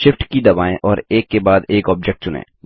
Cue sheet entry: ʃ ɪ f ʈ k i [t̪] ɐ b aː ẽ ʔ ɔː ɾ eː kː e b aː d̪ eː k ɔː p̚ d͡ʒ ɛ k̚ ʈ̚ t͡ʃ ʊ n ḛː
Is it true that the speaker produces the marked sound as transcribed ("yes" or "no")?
no